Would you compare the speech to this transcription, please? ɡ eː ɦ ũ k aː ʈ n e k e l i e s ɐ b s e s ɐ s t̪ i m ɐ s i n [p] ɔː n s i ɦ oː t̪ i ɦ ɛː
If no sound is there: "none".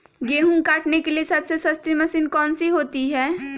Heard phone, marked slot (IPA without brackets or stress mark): k